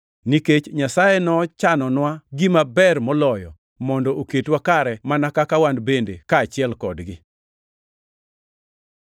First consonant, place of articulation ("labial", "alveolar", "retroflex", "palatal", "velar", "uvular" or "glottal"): alveolar